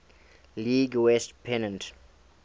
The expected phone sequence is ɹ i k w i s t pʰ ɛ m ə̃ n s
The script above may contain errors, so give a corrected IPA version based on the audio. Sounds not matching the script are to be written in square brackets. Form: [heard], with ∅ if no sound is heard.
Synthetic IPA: [l] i [ɡ] w [ɛ] s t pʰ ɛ [n] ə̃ n [t]